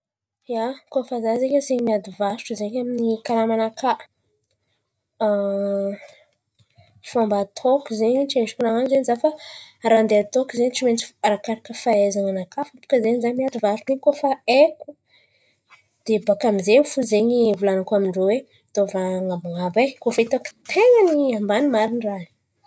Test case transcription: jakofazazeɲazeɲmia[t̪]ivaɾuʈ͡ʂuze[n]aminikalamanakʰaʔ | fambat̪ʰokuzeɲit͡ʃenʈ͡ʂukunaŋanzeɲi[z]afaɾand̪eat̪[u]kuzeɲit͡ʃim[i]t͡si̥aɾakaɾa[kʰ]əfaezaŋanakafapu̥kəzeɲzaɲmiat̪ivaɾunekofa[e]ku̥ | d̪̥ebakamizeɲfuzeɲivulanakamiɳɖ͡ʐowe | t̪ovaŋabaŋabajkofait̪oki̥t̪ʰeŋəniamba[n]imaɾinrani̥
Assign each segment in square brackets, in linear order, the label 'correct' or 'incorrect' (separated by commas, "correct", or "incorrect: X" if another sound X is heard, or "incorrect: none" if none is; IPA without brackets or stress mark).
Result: incorrect: d̪, incorrect: ɲ, correct, incorrect: o, incorrect: e, incorrect: k, correct, correct